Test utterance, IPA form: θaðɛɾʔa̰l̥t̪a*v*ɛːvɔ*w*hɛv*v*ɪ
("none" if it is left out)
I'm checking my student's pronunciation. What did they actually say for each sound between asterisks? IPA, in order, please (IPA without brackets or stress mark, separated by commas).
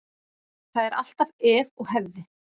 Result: v, ɣ, ð